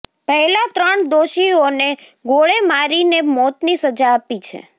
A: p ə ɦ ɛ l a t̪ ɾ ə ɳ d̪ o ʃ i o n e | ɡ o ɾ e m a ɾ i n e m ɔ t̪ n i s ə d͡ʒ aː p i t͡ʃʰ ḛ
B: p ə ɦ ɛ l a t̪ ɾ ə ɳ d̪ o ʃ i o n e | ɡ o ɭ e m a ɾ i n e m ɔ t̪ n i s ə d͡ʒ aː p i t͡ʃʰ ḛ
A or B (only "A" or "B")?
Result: B